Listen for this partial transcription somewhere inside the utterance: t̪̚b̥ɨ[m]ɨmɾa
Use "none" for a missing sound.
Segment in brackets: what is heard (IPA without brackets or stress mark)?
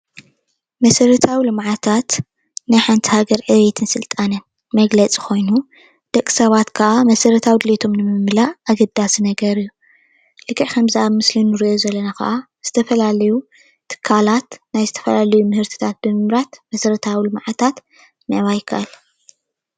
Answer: m